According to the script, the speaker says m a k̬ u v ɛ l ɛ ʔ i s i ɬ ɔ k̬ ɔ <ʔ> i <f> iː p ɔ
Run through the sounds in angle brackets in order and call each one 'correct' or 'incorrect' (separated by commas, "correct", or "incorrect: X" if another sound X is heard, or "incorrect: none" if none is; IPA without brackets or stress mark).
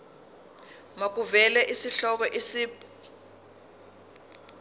correct, incorrect: s